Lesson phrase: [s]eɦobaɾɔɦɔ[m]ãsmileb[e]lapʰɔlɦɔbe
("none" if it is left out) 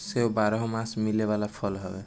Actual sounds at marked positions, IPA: s, m, a

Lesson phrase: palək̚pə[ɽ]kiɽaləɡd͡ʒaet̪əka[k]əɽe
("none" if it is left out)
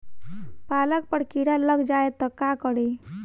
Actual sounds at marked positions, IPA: ɽ, k

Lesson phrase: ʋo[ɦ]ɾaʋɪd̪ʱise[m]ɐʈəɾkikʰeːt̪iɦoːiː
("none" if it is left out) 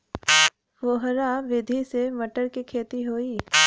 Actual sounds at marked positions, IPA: ɦ, m

